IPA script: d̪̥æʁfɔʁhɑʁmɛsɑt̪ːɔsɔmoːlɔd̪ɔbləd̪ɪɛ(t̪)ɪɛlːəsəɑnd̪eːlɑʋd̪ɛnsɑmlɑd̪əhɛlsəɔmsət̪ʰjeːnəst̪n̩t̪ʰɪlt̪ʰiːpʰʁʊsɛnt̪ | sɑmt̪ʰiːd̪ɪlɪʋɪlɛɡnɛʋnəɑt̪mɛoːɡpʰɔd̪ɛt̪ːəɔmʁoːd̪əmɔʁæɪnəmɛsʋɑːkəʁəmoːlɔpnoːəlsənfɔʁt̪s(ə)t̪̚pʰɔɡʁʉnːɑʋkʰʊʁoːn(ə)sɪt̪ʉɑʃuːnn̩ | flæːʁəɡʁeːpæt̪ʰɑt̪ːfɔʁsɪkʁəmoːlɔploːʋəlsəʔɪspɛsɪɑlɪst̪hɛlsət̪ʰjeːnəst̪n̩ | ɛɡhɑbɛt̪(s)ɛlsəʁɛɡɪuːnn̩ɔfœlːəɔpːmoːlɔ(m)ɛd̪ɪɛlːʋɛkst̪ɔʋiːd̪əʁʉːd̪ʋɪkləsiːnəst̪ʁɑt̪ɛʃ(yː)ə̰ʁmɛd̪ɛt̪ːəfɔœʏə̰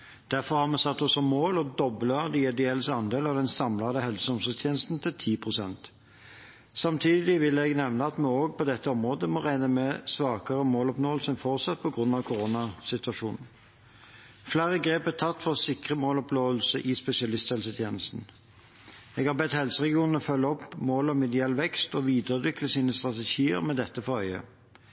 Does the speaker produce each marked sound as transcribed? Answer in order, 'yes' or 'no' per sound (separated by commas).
no, no, no, no, yes, no